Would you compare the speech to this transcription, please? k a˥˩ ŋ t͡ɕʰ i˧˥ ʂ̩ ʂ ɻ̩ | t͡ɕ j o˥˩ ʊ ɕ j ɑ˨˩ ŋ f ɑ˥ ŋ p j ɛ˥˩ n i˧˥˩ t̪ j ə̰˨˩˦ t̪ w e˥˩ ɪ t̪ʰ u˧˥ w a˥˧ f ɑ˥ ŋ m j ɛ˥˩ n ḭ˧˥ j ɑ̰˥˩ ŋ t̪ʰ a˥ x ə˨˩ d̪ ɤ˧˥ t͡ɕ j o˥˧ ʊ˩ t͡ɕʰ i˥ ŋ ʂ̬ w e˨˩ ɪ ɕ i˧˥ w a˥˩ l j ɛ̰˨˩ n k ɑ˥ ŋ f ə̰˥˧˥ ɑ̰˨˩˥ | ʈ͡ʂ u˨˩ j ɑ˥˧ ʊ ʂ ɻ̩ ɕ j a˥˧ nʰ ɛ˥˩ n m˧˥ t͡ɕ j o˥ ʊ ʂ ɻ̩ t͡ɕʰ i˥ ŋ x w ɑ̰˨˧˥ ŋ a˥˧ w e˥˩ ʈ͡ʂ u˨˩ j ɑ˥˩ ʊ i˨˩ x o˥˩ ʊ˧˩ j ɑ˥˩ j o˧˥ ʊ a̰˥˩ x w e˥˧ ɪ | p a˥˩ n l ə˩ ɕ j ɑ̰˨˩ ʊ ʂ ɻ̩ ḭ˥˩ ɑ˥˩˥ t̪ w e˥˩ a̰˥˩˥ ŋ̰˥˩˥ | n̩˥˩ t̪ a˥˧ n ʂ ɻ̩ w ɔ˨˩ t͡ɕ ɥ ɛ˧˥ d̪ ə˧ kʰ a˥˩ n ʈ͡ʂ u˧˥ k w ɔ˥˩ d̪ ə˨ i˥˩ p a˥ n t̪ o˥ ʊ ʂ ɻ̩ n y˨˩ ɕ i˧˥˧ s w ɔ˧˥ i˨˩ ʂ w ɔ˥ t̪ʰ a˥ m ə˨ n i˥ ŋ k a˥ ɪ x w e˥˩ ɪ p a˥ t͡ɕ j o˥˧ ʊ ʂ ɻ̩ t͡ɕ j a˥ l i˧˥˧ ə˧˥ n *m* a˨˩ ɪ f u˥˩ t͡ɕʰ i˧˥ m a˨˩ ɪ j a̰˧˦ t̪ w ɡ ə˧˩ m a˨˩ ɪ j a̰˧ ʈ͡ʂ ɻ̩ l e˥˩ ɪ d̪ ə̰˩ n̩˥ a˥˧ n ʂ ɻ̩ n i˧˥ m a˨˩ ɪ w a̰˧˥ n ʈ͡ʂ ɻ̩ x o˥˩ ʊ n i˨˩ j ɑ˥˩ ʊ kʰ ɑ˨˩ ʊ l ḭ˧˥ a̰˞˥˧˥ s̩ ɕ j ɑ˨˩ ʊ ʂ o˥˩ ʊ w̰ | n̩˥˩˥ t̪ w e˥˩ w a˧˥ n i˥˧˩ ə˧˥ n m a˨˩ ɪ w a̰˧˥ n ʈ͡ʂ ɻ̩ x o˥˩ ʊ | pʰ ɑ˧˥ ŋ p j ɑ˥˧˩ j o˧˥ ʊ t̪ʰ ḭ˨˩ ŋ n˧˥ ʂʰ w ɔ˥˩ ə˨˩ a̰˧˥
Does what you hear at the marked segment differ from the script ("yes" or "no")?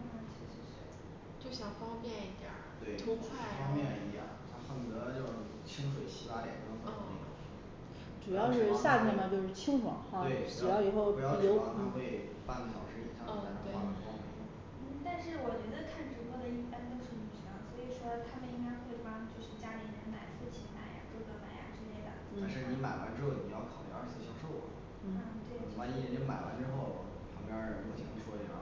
no